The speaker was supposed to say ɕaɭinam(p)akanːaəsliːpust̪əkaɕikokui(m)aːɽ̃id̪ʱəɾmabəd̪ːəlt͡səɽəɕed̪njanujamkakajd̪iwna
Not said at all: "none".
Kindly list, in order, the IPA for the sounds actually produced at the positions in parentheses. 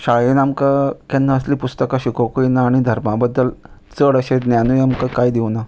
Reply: k, n

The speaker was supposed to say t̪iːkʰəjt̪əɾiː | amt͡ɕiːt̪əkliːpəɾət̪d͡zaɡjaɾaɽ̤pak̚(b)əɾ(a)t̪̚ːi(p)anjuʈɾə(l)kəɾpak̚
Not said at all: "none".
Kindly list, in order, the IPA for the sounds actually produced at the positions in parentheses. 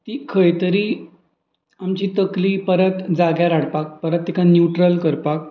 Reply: p, ə, k, l

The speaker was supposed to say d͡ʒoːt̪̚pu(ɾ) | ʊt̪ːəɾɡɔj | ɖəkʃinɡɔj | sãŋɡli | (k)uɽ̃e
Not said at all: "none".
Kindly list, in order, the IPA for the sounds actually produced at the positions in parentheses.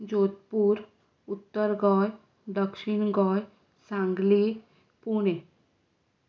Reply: ɾ, p

